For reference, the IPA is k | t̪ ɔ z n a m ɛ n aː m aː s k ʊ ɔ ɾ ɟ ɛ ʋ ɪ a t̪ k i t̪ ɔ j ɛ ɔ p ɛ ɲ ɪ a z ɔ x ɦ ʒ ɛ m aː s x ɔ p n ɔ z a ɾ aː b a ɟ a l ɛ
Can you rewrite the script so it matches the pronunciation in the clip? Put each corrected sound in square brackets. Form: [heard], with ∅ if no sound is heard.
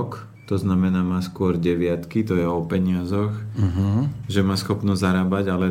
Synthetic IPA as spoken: k | t̪ ɔ z n a m ɛ n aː m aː s k ʊ ɔ ɾ ɟ ɛ ʋ ɪ a t̪ k i t̪ ɔ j ɛ ɔ p ɛ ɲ ɪ a z ɔ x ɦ ʒ ɛ m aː s x ɔ p n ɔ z a ɾ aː b a ɟ a l ɛ